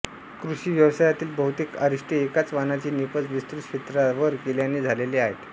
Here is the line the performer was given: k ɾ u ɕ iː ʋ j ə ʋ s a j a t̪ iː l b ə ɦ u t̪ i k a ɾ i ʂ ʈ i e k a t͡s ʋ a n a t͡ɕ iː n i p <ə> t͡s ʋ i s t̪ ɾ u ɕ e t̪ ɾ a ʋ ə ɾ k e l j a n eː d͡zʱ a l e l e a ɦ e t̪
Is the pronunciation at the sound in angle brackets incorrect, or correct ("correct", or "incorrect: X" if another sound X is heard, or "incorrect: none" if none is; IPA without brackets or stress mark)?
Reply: correct